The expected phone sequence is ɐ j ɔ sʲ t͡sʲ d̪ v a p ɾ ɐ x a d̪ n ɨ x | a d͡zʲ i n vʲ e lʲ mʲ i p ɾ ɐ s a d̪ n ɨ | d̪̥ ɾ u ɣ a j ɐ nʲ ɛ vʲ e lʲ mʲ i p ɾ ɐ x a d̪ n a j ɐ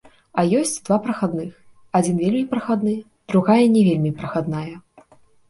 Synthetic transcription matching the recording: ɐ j ɔ sʲ t͡sʲ d̪ v a p ɾ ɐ x a d̪ n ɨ x | a d͡zʲ i n vʲ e lʲ mʲ i p ɾ ɐ x a d̪ n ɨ | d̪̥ ɾ u ɣ a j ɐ nʲ ɛ vʲ e lʲ mʲ i p ɾ ɐ x a d̪ n a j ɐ